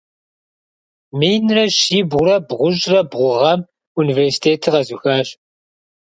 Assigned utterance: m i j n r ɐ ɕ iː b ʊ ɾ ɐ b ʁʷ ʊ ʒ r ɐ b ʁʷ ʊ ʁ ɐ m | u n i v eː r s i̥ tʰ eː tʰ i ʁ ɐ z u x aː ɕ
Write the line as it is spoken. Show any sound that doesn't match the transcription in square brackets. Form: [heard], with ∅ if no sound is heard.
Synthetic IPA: m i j n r ɐ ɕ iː b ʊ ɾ ɐ b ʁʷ ʊ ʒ r ɐ b ʁʷ ʊ ʁ ɐ m | u n i v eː r s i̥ tʰ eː tʰ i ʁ ɐ z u x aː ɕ